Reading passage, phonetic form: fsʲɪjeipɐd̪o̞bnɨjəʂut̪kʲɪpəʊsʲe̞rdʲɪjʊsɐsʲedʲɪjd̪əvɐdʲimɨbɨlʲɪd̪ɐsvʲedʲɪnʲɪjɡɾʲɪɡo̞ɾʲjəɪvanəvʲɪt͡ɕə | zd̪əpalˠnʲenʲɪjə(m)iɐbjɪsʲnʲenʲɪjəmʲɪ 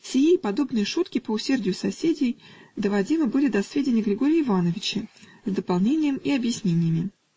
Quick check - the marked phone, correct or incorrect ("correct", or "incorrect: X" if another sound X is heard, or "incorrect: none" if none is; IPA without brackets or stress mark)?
correct